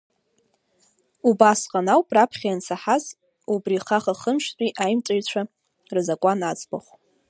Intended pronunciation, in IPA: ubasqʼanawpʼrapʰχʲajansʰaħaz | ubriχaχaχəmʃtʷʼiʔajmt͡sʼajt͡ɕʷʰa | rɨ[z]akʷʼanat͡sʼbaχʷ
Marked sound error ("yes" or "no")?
no